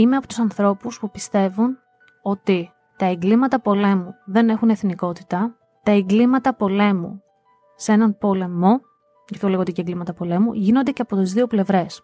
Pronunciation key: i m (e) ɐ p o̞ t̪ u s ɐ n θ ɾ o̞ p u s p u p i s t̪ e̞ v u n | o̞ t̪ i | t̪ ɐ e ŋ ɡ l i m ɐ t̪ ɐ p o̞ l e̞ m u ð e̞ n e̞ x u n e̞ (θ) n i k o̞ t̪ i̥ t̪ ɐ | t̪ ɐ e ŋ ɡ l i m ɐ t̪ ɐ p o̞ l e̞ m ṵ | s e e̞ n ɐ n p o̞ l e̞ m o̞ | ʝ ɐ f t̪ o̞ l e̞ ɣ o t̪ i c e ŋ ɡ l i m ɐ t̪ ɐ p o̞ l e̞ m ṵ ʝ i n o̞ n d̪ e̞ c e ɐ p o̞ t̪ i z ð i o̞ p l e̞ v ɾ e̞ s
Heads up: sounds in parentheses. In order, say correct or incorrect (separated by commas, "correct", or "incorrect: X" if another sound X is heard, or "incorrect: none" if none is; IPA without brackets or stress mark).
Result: correct, correct